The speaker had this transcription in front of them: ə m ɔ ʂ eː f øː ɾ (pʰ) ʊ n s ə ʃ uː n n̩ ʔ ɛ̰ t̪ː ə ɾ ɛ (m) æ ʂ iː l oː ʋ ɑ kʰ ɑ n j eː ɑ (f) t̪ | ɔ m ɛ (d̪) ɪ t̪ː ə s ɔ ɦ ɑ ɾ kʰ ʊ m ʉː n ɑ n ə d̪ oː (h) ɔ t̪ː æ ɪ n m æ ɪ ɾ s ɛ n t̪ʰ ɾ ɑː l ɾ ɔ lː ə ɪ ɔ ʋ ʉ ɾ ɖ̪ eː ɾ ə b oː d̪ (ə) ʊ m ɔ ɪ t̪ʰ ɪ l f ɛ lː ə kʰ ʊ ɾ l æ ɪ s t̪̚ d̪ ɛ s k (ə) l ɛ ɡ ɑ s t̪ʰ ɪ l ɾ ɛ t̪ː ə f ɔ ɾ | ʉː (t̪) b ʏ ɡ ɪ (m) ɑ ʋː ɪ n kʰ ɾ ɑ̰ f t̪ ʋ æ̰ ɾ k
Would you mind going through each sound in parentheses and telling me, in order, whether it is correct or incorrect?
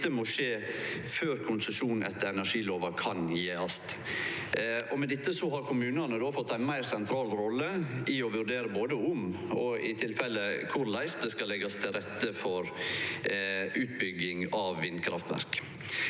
incorrect: kʰ, incorrect: n, incorrect: s, correct, incorrect: f, correct, incorrect: ɑ, correct, incorrect: ŋ

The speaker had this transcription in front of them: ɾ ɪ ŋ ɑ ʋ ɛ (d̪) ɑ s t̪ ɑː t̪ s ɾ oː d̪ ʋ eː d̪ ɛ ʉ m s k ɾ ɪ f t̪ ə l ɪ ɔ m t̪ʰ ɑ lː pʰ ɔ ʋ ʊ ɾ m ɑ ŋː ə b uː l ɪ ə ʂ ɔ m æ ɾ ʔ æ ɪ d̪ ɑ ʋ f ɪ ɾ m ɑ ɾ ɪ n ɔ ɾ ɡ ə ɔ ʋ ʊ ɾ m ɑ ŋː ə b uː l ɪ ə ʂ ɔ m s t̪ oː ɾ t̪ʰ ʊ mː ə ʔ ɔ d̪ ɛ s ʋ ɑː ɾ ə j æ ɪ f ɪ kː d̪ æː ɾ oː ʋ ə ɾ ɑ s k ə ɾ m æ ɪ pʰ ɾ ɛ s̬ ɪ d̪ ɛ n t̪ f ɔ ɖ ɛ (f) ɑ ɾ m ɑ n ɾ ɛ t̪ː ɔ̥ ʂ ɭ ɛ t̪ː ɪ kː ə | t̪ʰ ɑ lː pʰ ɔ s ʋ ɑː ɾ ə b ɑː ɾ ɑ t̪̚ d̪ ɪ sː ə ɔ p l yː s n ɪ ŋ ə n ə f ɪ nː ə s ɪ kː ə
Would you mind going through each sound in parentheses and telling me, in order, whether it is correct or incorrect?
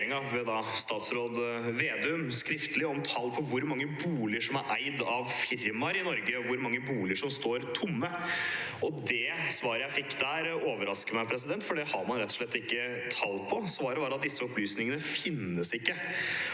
correct, incorrect: h

